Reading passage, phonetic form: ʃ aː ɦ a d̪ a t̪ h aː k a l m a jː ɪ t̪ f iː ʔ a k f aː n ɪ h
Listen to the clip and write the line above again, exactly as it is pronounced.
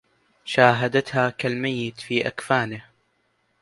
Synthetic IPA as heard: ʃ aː ɦ a d̪ a t̪ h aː k a l m a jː ɪ t̪ f iː ʔ a k f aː n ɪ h